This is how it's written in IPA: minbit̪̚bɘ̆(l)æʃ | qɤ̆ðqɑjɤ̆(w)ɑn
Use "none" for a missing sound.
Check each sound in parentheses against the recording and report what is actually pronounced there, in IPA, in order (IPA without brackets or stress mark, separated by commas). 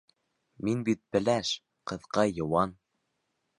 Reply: l, w